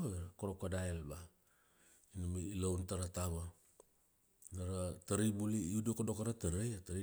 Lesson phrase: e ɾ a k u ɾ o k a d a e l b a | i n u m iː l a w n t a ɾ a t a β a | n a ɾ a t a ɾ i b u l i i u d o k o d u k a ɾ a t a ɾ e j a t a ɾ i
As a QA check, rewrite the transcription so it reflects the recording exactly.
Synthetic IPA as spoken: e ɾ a k o ɾ o k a d a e l b a | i n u m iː l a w n t a ɾ a t a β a | n a ɾ a t a ɾ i b u l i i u d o k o d o k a ɾ a t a ɾ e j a t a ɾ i